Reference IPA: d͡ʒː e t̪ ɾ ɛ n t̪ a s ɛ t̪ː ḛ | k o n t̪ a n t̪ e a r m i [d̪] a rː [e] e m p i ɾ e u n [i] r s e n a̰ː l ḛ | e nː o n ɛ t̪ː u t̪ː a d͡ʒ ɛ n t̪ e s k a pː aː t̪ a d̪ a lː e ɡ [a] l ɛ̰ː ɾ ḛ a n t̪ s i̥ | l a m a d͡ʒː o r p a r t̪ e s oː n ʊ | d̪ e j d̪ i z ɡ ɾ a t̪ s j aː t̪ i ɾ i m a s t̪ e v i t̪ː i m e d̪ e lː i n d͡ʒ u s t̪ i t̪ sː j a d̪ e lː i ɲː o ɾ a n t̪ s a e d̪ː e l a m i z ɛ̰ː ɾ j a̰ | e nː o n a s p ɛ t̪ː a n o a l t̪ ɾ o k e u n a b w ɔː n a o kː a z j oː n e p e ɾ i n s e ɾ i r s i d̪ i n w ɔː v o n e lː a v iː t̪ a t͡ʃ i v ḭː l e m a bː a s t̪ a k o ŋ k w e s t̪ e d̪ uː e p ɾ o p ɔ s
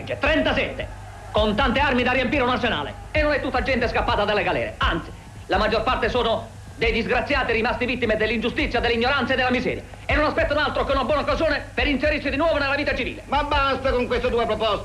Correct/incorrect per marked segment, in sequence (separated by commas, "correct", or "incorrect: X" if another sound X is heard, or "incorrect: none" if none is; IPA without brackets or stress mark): correct, incorrect: i, incorrect: a, correct